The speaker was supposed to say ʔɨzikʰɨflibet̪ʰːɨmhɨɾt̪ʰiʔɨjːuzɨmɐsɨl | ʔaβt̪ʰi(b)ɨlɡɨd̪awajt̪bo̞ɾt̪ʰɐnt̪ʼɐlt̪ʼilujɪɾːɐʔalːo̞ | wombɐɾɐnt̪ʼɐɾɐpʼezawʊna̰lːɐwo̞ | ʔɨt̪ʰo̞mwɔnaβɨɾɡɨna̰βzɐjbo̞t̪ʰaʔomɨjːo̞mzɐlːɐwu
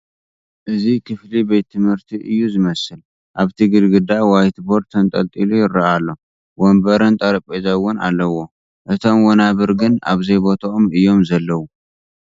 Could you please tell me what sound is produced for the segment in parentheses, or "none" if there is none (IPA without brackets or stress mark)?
ɡ